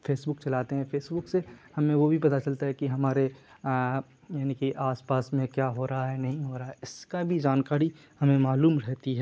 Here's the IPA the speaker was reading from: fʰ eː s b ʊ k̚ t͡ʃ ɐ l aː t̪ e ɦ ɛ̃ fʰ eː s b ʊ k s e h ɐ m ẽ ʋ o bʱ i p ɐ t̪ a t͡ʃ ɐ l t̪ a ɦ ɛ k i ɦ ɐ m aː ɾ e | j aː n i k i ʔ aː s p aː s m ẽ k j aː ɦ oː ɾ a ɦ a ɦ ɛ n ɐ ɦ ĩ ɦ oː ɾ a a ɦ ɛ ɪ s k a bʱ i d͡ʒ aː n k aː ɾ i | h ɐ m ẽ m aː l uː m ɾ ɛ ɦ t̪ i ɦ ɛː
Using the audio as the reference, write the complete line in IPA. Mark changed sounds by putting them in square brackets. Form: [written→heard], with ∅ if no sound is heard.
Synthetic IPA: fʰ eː s b ʊ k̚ t͡ʃ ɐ l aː t̪ e ɦ ɛ̃ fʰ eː s b ʊ k s e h ɐ m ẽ ʋ o bʱ i p ɐ t̪ a t͡ʃ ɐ l t̪ a ɦ ɛ k i ɦ ɐ m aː ɾ e | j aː n i k i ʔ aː s p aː s m ẽ k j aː ɦ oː ɾ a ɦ a ɦ ɛ n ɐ ɦ ĩ ɦ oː ɾ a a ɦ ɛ ɪ s k a bʱ i d͡ʒ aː n k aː ɾ i | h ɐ m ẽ m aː l uː m ɾ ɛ ɦ t̪ i ɦ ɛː